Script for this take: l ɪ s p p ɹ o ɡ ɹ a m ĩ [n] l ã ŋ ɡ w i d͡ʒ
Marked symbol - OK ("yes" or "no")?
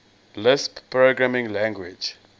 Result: no